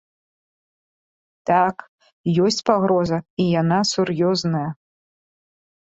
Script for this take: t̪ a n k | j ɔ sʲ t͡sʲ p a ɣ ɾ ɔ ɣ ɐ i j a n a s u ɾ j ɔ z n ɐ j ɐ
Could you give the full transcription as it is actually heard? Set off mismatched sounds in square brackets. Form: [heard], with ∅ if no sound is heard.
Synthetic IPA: t̪ a [∅] k | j ɔ sʲ t͡sʲ p a ɣ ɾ ɔ [z] ɐ i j a n a s u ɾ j ɔ z n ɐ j ɐ